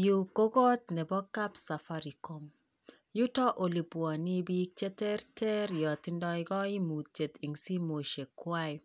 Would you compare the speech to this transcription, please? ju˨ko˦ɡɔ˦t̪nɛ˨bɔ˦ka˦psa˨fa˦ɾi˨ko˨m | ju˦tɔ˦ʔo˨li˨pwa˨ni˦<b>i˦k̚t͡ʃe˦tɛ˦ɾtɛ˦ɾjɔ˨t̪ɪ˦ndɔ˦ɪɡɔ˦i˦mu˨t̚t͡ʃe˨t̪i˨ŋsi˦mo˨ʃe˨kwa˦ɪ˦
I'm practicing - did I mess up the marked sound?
no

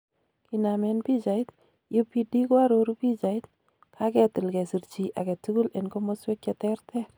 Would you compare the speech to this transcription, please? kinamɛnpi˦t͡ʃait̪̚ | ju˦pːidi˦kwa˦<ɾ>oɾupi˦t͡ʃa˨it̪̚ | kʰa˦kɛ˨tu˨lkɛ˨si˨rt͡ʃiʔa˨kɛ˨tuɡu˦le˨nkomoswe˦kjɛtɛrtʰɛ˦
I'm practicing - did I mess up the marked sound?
no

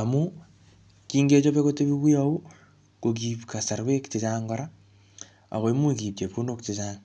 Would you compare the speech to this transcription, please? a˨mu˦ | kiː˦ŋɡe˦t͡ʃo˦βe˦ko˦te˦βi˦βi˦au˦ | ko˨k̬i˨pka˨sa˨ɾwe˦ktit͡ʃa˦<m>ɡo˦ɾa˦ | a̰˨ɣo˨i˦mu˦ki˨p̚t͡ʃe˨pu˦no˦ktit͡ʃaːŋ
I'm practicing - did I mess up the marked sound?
yes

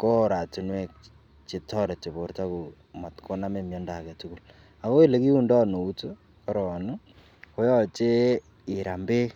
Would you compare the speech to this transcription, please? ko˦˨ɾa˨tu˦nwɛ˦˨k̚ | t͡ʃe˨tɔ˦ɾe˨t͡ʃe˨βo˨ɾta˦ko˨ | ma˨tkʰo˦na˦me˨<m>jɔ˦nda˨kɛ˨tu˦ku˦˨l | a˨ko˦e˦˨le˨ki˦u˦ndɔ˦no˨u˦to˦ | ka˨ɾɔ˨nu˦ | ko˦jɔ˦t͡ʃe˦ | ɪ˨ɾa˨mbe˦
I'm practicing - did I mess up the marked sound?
no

